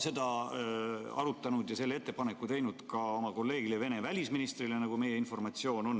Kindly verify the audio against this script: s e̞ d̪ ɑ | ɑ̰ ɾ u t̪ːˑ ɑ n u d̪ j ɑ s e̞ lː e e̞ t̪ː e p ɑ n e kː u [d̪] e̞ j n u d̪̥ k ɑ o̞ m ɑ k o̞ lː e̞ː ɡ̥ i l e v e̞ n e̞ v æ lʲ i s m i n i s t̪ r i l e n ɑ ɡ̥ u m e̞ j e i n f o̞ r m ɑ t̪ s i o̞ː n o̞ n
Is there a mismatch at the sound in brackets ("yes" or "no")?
yes